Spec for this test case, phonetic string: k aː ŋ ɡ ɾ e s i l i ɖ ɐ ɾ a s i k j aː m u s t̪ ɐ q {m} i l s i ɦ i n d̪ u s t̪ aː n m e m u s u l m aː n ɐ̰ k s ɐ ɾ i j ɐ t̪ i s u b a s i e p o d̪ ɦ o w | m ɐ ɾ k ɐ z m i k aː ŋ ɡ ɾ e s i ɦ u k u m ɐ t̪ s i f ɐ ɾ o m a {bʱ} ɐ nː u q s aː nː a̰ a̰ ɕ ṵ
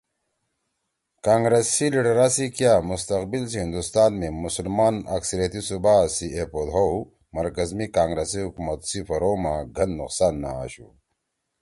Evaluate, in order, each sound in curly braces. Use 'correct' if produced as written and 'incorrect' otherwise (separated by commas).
incorrect, incorrect